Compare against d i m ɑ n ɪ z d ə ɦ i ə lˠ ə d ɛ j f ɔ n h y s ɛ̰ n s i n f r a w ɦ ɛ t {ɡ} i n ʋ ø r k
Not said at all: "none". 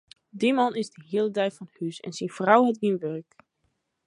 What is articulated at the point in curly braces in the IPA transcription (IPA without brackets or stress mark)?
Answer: ɡ